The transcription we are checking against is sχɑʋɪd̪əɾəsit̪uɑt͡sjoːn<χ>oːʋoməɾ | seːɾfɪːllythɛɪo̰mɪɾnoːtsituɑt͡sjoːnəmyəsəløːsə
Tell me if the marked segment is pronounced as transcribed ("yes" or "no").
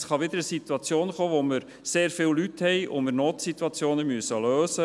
yes